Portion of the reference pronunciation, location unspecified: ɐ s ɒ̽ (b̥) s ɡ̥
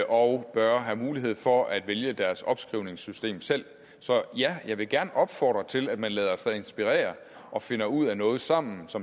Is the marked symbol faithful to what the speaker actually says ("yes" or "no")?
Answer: yes